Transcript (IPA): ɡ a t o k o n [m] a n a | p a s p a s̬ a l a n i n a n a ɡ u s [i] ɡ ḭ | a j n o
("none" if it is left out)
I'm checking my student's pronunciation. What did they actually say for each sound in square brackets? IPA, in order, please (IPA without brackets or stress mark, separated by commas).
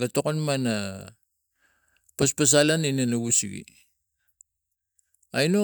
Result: m, i